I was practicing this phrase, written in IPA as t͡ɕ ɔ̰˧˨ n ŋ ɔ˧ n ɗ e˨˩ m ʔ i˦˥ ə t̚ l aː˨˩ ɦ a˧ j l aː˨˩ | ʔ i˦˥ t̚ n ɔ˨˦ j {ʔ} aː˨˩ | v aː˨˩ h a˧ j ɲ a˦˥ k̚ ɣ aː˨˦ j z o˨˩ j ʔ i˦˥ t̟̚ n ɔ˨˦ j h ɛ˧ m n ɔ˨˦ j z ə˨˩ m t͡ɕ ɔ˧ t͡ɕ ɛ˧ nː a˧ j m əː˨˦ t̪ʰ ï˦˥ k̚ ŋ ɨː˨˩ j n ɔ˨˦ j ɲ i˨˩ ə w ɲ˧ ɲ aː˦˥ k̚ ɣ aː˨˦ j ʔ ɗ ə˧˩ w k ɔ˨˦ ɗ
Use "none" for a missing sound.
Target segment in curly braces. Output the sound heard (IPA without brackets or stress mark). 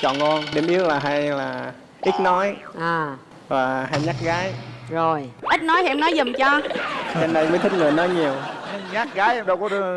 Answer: ʔ